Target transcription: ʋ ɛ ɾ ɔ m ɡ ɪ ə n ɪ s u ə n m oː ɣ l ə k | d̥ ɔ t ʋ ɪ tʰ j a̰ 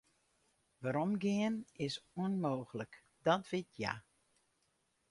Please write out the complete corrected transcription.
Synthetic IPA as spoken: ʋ a ɾ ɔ m ɡ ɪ ə n ɪ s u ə n m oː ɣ l ə k | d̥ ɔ t ʋ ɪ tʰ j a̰